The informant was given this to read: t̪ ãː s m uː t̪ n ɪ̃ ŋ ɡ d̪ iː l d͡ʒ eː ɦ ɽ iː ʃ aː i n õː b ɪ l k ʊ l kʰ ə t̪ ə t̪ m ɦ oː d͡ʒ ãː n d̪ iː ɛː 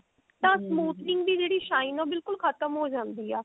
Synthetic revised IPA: t̪ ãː s m uː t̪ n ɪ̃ ŋ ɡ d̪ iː d͡ʒ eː ɽ iː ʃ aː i n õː b ɪ l k ʊ l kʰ ə t̪ ə m ɦ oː d͡ʒ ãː n d̪ iː ɛː